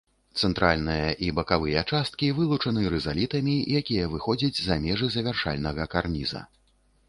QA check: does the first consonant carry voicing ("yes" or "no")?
no